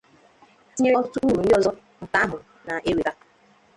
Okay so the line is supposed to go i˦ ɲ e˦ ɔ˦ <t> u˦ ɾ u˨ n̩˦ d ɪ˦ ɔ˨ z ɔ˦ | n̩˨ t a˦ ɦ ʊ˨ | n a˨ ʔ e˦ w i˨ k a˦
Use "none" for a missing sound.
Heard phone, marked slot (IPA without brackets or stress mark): t